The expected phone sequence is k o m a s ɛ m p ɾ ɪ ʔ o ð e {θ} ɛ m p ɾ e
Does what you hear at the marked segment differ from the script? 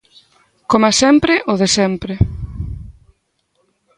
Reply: yes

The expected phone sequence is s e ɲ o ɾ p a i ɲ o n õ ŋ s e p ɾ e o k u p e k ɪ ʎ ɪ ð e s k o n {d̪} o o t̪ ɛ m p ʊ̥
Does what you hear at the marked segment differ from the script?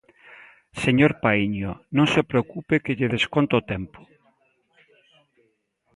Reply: yes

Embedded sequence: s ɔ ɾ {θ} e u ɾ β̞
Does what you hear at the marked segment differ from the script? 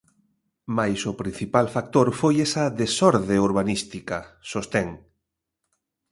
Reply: yes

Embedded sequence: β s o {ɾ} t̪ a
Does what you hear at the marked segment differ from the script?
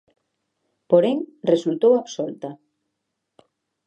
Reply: yes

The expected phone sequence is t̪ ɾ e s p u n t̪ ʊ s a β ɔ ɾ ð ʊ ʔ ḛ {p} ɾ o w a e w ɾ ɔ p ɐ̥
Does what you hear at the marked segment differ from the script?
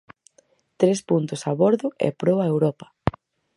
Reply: no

